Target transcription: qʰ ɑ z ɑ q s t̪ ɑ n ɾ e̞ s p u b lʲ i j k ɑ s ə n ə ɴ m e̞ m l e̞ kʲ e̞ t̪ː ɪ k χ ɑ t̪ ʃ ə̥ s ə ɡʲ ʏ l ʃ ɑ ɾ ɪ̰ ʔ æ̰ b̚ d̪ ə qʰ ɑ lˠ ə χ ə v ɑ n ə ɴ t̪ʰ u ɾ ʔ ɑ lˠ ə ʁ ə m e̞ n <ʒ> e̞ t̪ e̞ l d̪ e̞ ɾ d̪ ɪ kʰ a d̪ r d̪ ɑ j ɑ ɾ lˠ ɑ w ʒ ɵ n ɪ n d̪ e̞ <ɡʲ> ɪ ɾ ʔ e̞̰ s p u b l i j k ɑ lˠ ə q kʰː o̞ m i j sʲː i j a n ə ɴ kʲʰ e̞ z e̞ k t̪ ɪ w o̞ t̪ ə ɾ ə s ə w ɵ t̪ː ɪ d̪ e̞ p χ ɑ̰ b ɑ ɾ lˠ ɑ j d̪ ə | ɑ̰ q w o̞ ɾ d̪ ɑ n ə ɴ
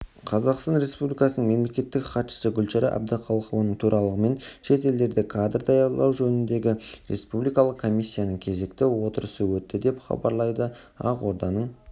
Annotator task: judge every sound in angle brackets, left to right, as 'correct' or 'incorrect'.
incorrect: ʃ, correct

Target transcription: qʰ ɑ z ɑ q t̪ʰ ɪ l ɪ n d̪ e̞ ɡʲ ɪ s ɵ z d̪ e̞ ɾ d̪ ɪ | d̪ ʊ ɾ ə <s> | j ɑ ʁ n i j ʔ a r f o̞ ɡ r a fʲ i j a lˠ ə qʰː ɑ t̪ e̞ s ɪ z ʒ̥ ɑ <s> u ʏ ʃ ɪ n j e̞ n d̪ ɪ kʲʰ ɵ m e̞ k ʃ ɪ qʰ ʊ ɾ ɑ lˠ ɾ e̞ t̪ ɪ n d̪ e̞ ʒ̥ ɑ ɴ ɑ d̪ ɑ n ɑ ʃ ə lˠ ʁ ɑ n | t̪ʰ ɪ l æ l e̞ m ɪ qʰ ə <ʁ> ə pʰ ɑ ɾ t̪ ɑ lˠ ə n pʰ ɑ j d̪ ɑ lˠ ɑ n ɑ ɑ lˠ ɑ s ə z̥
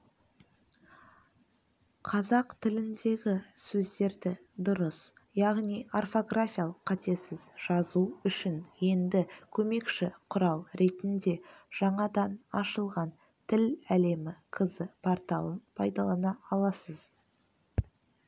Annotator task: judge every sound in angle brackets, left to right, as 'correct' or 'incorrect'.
correct, incorrect: z, incorrect: z

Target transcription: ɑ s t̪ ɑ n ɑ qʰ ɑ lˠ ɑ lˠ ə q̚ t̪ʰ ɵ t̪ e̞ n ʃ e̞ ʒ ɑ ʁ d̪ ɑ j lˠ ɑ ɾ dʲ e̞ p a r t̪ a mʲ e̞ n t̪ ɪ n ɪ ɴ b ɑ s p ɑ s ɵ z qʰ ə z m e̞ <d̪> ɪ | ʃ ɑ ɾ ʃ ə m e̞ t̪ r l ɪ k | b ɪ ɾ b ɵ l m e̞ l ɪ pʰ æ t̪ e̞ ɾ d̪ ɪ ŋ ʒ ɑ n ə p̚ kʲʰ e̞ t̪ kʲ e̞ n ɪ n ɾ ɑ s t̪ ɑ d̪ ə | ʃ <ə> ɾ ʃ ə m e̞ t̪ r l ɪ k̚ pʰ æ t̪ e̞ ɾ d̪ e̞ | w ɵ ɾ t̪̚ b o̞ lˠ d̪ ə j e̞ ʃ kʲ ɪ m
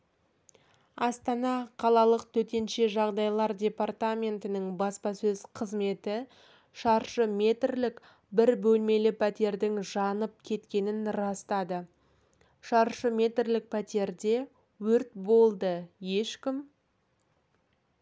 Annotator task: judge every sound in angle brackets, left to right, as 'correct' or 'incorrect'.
incorrect: t̪, incorrect: ɑ

